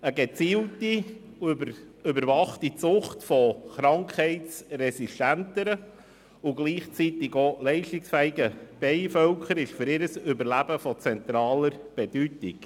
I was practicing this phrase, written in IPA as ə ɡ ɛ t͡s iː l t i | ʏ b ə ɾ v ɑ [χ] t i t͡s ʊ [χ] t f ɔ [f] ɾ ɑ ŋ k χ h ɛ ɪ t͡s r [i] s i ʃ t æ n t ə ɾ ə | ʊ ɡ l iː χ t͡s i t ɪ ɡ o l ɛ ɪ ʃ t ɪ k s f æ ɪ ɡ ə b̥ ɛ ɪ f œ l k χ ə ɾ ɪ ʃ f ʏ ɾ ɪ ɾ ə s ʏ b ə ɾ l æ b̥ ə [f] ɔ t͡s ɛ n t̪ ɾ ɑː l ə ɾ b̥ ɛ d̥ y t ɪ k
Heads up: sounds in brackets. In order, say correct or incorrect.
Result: correct, correct, incorrect: χ, incorrect: ɛ, correct

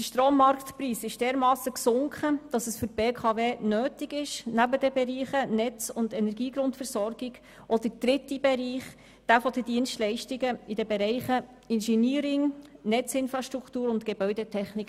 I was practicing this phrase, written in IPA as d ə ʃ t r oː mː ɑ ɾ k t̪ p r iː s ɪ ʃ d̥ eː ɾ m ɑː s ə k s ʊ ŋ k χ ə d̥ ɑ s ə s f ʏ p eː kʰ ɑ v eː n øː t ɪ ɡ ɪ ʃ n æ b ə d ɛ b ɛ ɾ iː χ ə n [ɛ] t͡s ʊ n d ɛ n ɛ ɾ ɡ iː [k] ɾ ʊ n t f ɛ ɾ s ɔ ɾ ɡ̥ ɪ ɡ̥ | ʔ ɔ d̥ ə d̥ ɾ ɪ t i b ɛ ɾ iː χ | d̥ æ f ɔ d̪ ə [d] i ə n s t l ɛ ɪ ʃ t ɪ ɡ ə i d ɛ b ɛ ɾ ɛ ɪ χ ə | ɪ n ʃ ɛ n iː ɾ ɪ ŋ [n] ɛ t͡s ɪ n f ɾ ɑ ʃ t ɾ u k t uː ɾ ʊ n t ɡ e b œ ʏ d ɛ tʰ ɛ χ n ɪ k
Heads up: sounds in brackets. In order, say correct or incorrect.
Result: correct, incorrect: ɡ, correct, correct

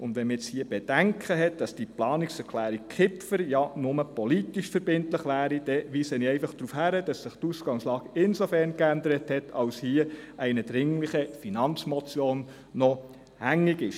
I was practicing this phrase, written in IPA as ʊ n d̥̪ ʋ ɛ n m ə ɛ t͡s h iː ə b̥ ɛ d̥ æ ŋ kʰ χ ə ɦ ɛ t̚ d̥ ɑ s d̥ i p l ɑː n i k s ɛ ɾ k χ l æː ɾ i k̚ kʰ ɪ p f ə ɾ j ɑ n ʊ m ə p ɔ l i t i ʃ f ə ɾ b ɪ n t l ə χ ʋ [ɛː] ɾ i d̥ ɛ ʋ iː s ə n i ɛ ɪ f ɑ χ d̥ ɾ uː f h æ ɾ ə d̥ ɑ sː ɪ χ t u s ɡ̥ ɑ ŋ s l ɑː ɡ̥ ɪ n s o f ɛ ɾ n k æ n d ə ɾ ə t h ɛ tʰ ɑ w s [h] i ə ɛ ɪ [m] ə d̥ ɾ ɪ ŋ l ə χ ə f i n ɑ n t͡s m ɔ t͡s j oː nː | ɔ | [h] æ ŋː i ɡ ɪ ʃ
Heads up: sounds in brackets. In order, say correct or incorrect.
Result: incorrect: æː, correct, incorrect: n, correct

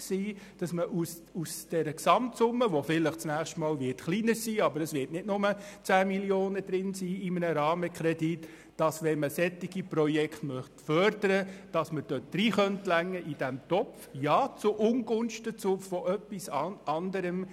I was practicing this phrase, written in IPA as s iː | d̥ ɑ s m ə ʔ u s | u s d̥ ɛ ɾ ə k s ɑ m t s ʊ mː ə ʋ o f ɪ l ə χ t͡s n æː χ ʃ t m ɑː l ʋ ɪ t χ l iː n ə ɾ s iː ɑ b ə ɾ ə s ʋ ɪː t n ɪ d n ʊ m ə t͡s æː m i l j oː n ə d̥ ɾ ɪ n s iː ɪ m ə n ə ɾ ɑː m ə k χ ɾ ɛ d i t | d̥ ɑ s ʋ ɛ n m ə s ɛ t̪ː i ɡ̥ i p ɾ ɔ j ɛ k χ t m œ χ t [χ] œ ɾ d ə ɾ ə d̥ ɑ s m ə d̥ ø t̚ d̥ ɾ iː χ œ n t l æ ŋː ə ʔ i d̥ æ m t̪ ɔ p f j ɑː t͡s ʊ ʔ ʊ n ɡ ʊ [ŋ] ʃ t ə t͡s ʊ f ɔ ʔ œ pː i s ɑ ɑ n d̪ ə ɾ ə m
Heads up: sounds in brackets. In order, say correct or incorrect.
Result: incorrect: f, incorrect: n

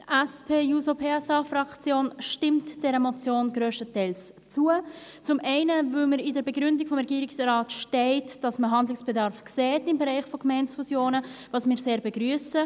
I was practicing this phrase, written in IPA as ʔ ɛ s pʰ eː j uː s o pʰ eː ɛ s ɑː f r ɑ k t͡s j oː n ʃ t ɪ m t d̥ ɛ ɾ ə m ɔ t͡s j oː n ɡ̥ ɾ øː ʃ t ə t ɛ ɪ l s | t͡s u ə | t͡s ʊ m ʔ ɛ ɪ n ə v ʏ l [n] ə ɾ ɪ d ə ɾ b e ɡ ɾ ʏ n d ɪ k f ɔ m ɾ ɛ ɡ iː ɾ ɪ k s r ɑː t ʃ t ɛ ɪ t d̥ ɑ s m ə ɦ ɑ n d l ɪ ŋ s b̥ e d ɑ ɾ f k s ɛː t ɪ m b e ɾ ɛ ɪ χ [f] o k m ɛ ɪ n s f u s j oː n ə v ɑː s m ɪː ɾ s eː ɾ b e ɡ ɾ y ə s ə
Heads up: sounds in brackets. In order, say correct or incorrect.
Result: incorrect: m, correct

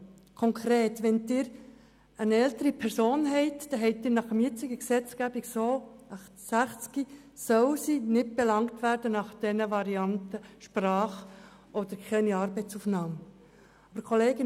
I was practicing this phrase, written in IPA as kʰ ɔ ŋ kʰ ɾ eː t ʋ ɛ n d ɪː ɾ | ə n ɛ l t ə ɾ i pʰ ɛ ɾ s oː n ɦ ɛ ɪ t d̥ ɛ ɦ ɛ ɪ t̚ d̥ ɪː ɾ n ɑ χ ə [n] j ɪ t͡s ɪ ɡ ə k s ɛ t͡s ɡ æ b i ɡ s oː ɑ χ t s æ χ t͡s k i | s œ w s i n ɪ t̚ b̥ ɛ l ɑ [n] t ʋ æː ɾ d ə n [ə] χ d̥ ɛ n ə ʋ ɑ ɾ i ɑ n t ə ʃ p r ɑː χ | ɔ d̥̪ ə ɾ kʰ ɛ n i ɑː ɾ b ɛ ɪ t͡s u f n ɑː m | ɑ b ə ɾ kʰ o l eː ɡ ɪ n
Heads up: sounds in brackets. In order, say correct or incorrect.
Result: incorrect: m, incorrect: ŋ, incorrect: ɑ

